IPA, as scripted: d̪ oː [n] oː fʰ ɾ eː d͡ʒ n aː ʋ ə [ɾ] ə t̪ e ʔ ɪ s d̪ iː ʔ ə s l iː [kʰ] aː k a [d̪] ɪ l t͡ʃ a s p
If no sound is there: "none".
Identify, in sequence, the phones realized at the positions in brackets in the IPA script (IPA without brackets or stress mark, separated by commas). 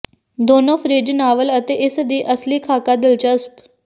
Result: n, l, kʰ, d̪